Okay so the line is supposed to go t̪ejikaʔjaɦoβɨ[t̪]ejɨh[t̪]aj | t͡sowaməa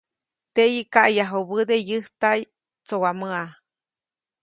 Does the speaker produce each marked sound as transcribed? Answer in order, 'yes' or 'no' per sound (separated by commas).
no, yes